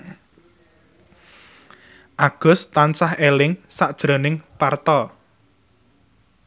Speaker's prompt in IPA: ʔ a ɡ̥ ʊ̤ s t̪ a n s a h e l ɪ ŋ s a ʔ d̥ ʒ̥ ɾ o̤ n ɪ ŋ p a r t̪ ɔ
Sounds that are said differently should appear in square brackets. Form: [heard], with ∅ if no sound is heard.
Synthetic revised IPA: ʔ a ɡ̥ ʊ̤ s t̪ a n s a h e l ɪ ŋ s a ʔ d̥ ʒ̥ ɾ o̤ n ɪ ŋ p a r t̪ ɔ